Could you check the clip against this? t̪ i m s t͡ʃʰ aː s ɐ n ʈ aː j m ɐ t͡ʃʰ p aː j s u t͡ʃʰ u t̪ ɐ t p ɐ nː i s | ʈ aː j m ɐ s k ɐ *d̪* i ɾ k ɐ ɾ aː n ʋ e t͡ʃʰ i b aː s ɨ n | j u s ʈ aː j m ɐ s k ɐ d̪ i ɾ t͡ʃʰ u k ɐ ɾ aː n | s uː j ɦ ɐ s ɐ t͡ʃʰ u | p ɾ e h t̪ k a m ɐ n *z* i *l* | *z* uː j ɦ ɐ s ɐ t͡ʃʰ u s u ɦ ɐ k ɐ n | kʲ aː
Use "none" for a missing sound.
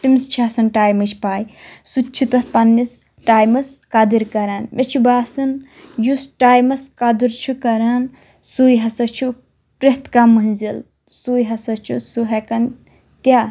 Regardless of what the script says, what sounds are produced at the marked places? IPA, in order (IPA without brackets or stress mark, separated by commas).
d̪, z, l, s